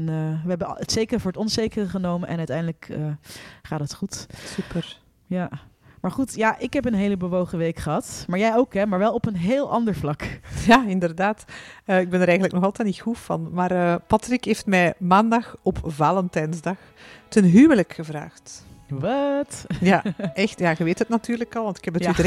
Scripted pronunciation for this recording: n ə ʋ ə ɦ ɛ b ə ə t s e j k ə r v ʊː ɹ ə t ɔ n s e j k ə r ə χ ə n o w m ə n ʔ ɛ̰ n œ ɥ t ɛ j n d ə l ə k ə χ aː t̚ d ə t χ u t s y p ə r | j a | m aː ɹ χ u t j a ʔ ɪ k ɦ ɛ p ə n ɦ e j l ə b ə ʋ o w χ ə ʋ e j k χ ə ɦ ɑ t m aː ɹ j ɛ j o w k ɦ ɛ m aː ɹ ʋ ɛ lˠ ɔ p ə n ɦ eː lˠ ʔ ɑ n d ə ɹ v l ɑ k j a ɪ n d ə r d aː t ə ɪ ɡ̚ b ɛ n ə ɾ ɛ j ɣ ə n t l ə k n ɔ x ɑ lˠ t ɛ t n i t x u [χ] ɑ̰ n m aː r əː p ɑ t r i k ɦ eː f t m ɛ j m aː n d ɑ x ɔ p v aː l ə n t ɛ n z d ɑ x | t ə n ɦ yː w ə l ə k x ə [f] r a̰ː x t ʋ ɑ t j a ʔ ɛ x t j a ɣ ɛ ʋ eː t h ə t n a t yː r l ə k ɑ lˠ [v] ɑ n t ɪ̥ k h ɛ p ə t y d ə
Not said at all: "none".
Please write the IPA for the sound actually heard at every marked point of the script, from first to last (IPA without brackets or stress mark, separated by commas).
f, v, ʋ